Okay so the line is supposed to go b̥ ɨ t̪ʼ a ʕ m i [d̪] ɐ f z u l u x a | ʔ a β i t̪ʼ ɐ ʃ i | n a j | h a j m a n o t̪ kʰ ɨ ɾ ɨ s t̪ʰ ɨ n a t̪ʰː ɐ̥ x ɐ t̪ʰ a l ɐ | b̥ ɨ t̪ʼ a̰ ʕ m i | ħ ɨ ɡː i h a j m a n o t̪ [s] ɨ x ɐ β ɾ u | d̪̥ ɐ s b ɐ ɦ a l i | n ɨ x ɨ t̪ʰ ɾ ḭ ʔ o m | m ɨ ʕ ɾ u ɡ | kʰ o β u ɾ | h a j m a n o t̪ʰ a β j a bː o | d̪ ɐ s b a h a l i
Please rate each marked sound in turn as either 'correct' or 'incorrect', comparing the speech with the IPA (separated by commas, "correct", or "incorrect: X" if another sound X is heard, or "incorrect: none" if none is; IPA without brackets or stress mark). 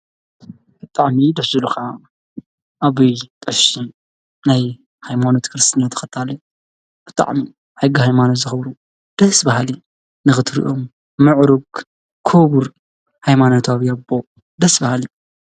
correct, incorrect: z